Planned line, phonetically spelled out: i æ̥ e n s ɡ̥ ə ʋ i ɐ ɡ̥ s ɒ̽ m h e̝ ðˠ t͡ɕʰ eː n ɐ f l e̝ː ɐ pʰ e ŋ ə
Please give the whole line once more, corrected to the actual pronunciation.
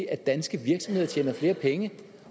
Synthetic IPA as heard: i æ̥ æ n s ɡ̥ ə ʋ i ɐ ɡ̥ s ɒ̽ m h e̝ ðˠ t͡ɕʰ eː n ɐ f l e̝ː ɐ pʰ e ŋ ə